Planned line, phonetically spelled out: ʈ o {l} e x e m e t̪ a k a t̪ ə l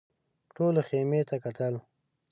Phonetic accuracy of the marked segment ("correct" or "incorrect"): correct